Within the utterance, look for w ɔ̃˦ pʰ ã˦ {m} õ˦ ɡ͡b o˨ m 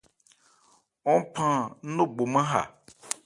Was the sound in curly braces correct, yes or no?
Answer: no